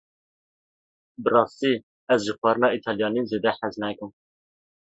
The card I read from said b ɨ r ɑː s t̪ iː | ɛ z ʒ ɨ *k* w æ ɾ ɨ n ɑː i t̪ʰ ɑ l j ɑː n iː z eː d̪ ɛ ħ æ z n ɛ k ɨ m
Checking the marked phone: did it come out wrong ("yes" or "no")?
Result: yes